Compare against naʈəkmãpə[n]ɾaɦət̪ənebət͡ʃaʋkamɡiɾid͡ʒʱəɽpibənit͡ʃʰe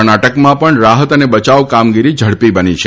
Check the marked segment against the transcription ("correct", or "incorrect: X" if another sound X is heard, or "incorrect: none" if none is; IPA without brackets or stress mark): incorrect: ɳ